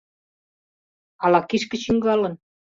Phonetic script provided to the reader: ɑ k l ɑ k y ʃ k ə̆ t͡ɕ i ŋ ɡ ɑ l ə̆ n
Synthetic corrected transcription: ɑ l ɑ k i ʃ k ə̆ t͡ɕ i ŋ ɡ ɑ l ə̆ n